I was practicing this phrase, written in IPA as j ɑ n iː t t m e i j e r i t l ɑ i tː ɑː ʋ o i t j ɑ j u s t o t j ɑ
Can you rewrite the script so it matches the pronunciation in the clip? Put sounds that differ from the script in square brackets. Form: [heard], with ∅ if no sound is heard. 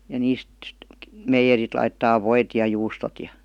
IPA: j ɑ n iː [s] t m e i j e r i t l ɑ i tː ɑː ʋ o i t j ɑ j [uː] s t o t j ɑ